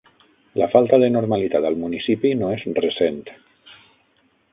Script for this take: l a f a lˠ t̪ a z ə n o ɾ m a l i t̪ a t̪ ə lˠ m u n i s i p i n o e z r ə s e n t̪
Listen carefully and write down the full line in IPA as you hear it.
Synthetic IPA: l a f a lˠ t̪ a ð ə n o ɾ m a l i t̪ a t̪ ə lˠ m u n i s i p i n o e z r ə s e n t̪